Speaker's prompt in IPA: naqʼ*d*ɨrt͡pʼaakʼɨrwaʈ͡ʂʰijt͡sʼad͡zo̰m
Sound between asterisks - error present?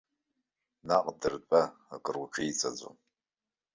no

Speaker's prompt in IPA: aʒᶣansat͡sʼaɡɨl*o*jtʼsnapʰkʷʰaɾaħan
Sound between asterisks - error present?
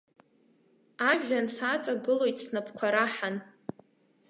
no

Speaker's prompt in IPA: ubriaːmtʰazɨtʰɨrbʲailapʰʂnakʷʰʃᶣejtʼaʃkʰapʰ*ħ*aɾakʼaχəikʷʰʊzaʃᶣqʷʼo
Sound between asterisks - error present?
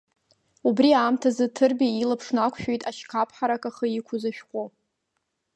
no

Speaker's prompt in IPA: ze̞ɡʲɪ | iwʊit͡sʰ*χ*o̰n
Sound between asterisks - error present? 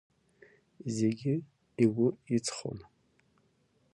no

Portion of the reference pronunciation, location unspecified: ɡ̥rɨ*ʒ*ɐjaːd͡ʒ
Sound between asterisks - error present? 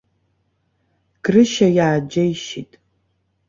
yes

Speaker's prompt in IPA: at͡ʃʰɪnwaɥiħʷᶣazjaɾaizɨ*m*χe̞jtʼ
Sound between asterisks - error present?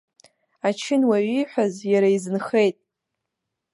yes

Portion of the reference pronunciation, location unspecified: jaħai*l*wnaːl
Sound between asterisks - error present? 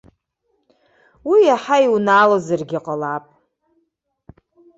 yes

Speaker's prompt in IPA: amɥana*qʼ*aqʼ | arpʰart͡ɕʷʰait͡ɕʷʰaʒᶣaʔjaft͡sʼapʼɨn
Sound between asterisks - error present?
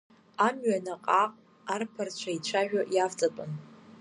no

